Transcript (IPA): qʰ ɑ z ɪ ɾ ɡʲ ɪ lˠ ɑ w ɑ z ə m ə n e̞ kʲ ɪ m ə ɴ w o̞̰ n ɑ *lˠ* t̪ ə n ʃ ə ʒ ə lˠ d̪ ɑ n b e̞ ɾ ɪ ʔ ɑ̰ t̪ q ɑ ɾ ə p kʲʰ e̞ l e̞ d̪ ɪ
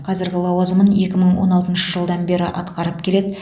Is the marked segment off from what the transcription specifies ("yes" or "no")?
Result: no